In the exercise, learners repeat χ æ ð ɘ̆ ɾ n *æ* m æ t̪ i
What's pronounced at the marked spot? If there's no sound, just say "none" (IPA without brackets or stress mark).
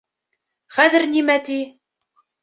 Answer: i